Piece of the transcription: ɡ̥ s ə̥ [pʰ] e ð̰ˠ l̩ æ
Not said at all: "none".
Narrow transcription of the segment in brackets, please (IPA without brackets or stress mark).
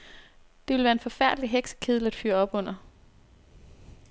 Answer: kʰ